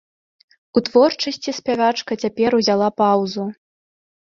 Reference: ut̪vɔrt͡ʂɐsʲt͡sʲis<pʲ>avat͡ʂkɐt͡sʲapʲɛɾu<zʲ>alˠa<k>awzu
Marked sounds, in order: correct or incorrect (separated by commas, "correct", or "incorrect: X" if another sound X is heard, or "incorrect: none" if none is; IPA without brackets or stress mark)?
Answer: correct, correct, incorrect: p